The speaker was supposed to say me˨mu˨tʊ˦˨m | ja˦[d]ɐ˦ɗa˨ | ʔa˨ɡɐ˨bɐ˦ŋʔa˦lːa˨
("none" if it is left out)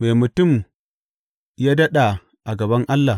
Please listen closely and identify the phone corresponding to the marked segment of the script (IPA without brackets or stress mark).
d